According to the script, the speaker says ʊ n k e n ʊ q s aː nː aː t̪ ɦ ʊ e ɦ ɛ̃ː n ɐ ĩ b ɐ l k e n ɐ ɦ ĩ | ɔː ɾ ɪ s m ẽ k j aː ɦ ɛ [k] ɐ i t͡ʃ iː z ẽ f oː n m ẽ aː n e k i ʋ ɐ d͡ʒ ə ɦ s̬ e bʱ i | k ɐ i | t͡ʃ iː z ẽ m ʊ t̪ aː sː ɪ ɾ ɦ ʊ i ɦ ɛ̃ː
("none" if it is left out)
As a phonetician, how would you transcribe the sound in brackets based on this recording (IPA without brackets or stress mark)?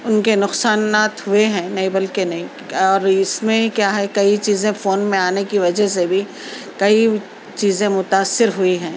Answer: k